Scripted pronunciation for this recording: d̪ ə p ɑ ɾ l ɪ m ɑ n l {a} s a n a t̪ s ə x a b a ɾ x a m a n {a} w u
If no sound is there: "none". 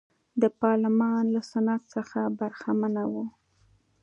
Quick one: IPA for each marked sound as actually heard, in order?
a, a

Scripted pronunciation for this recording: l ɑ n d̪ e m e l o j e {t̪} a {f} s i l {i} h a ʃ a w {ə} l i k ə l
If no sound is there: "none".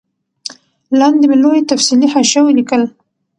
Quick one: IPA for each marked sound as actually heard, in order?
t̪, f, i, ə

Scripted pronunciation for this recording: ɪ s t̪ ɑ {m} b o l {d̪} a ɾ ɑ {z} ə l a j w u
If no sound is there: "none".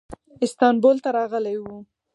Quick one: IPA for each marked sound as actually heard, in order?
n, t̪, ɣ

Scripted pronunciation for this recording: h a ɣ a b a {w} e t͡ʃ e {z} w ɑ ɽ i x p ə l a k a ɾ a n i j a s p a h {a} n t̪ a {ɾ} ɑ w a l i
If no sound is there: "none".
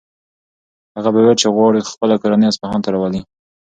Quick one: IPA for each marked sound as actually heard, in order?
w, ɣ, ɑ, ɾ

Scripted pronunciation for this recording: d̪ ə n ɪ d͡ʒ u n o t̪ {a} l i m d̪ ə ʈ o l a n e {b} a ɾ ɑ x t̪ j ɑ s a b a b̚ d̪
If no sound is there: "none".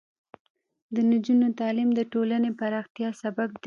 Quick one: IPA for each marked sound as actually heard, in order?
ɑ, p

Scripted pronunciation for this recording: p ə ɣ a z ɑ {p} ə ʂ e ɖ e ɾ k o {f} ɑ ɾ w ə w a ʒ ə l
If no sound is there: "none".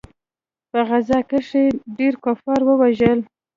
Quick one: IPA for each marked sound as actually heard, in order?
k, f

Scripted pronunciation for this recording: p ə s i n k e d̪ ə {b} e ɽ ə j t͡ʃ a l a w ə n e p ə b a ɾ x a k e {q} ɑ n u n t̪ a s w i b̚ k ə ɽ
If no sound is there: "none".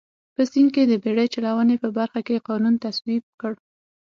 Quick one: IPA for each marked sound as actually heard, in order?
b, q

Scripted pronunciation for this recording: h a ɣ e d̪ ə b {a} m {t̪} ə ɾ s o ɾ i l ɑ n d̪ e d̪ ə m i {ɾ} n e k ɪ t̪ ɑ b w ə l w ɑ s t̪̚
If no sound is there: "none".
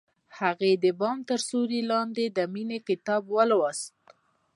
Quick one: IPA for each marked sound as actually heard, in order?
ɑ, t̪, none

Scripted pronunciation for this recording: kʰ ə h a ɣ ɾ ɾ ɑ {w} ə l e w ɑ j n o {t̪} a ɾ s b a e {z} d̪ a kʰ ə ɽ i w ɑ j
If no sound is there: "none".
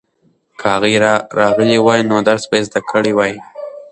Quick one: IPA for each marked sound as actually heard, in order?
ɣ, d̪, z

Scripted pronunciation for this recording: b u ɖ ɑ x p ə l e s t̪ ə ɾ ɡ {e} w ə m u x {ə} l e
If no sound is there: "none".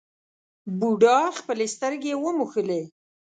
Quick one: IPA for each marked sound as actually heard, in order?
e, ə

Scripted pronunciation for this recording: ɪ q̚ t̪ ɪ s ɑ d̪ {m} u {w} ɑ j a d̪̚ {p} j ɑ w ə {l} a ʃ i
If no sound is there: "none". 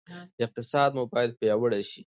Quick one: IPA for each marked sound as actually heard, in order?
m, b, p, ɽ

